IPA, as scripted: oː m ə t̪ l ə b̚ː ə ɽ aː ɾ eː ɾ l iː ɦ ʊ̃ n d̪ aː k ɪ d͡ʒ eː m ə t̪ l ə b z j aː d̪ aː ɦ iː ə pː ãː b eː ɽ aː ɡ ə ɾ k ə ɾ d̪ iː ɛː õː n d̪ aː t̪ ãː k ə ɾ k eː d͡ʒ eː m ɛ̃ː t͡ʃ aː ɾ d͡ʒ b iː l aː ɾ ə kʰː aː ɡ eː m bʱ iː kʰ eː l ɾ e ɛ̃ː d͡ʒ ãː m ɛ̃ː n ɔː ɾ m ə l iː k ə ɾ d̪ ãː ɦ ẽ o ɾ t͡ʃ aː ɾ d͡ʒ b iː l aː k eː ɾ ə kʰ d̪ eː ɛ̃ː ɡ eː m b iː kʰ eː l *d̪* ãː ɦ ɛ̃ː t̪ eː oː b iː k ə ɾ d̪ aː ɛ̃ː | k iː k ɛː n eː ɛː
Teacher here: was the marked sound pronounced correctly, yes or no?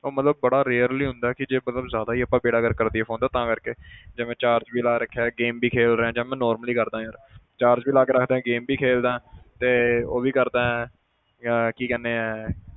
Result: yes